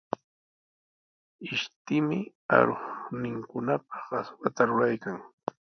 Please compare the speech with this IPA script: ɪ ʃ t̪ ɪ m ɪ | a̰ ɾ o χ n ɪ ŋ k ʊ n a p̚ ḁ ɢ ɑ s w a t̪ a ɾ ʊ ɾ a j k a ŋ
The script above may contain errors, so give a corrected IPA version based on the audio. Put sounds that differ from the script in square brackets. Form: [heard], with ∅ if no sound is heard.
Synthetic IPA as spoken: ɪ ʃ t̪ ɪ m ɪ | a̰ ɾ o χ n ɪ ŋ k ʊ n a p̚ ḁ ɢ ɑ s w a t̪ a ɾ ʊ ɾ a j k a ŋ